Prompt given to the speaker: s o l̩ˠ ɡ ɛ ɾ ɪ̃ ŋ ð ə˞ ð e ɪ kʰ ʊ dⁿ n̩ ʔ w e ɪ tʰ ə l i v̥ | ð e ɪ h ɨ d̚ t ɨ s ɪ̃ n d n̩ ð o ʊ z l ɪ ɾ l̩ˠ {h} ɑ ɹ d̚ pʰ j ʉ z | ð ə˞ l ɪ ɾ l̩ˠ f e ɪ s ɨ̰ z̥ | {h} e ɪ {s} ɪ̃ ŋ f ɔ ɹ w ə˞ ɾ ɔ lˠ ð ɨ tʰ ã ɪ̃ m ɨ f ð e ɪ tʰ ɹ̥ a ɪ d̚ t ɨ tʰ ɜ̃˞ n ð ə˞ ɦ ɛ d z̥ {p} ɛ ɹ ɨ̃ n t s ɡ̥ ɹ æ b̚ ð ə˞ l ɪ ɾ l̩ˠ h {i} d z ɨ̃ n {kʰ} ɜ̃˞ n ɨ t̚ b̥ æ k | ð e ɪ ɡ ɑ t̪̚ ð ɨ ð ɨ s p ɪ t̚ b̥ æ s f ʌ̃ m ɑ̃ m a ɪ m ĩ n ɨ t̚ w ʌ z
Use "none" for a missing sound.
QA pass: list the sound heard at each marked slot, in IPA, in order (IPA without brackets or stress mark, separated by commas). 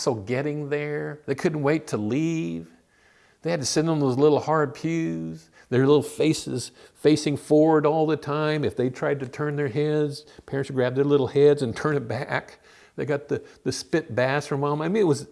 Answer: h, f, s, pʰ, ɛ, tʰ